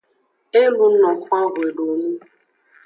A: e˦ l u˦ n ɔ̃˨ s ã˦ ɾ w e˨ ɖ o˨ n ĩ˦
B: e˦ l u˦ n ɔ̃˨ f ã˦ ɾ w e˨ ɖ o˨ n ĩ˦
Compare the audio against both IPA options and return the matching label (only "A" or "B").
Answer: B